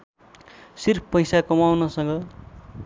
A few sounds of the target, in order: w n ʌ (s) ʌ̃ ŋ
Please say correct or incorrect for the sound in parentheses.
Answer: correct